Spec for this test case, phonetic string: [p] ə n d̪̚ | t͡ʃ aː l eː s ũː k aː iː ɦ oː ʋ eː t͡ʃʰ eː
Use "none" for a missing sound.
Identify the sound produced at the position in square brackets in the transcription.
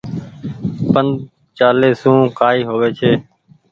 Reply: p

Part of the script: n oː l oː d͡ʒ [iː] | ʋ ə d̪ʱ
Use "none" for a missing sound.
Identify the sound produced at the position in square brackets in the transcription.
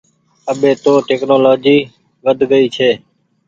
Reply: iː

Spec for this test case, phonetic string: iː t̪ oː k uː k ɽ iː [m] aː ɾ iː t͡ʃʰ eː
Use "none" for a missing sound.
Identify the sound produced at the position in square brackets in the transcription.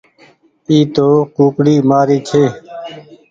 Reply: m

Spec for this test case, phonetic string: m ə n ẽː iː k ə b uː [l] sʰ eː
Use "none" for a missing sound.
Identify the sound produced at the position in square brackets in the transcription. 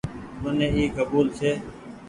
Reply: l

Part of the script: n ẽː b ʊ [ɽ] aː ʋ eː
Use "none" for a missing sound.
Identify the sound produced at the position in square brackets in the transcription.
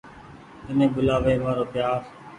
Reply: l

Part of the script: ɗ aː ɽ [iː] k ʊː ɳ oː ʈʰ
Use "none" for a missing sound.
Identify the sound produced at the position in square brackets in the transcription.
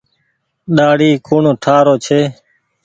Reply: iː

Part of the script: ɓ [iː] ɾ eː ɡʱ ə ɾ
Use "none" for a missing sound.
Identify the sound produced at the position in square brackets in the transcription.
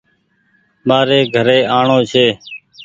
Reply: aː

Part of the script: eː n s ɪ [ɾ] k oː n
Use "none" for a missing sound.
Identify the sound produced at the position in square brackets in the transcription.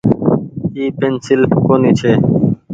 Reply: l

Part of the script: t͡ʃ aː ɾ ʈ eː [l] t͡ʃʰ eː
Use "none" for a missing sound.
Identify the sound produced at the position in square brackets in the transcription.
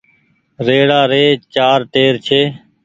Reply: ɾ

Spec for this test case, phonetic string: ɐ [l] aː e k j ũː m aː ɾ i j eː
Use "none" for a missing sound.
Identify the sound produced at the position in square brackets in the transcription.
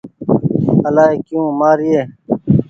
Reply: l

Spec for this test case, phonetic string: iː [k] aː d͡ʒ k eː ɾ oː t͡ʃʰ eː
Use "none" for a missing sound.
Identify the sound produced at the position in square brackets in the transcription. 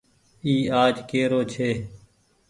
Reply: none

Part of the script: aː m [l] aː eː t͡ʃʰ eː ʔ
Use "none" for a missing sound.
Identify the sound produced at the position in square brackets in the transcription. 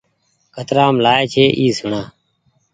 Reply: l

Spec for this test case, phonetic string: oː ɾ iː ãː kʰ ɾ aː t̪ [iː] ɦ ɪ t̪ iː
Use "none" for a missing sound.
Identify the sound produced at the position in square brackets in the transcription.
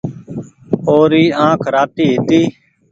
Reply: iː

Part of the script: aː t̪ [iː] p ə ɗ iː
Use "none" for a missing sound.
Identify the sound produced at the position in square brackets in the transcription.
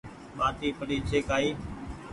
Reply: iː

